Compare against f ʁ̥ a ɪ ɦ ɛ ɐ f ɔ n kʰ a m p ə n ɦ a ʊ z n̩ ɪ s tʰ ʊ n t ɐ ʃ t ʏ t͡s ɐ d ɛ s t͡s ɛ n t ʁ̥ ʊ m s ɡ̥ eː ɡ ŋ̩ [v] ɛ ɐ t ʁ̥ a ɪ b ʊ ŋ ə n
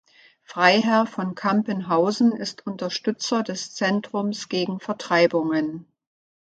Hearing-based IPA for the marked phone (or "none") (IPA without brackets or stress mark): f